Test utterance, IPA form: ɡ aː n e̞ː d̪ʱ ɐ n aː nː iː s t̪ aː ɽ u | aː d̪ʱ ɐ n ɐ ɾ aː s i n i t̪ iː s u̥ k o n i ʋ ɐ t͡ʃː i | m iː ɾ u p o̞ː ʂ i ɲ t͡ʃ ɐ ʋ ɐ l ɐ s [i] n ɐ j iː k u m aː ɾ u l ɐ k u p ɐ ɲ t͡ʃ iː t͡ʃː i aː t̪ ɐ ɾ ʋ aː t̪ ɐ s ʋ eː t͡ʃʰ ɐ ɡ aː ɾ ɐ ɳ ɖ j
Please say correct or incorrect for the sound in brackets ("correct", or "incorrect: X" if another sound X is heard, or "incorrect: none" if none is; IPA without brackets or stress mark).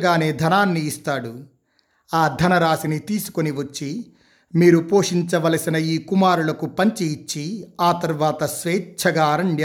correct